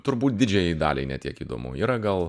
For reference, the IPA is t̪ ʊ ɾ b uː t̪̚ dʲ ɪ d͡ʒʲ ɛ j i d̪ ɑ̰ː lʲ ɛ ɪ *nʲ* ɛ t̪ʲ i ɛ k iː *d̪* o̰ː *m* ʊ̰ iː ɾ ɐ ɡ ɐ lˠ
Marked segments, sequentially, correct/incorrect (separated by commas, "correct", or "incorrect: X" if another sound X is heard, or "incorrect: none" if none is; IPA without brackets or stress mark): correct, correct, correct